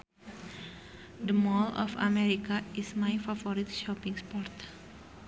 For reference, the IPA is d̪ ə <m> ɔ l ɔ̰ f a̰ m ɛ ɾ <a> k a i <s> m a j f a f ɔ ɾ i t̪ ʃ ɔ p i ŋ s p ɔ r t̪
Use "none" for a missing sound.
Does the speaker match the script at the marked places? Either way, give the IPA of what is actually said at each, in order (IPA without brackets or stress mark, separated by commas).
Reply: m, i, s